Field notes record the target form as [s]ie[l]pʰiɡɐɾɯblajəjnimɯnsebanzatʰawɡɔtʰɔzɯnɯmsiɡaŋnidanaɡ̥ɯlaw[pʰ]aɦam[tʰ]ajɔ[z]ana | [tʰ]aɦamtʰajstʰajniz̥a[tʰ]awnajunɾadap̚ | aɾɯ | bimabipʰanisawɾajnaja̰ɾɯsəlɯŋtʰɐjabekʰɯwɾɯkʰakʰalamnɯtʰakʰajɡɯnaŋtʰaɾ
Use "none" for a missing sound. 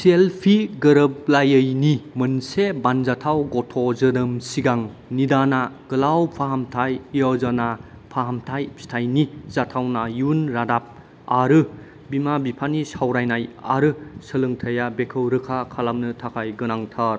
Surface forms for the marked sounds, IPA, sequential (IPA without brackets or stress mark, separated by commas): s, l, pʰ, tʰ, z, pʰ, tʰ